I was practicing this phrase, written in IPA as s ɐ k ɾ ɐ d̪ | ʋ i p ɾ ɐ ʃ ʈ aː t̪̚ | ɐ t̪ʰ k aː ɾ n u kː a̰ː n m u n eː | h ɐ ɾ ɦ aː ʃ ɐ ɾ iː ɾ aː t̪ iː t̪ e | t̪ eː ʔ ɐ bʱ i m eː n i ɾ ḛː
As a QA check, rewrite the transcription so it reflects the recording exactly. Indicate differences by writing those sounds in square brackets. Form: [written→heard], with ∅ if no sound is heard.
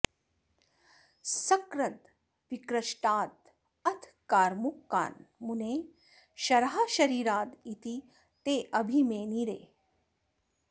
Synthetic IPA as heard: s ɐ k ɾ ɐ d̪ | ʋ i [p→k] ɾ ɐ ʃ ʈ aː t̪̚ | ɐ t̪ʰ k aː ɾ [n→m] u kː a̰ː n m u n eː | [h→ʃ] ɐ ɾ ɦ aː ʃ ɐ ɾ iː ɾ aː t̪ [iː→i] t̪ [e→i] | t̪ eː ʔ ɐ bʱ i m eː n i ɾ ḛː